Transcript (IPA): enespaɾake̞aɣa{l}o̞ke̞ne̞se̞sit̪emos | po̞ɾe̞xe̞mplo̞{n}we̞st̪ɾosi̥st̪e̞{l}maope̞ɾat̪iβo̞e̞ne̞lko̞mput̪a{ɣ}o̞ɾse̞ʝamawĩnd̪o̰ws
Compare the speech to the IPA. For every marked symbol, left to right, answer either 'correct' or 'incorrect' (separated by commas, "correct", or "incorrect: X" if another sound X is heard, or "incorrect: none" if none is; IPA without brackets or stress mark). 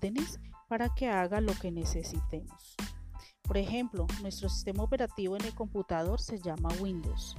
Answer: correct, correct, incorrect: none, incorrect: ð